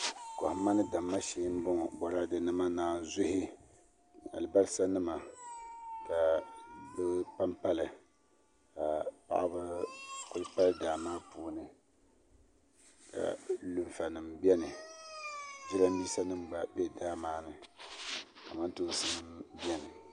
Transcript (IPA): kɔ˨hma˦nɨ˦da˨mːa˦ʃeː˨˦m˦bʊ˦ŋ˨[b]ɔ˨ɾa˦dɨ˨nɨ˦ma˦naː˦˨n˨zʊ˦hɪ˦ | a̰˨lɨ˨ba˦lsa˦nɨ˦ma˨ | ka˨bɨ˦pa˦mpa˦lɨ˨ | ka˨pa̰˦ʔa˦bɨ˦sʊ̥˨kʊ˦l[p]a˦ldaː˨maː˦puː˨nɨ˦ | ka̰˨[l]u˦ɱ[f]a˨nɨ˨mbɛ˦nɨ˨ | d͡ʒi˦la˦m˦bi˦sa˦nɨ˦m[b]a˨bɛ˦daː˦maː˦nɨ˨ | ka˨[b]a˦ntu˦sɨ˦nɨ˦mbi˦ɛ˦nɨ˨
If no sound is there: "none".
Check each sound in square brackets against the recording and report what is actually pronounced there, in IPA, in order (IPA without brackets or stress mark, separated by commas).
b, p, l, f, b, m